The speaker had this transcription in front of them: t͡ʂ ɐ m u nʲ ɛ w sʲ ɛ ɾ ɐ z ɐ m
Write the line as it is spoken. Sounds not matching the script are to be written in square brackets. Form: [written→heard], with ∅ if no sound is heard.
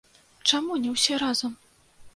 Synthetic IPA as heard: t͡ʂ [ɐ→a] m u nʲ ɛ w sʲ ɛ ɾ [ɐ→a] z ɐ m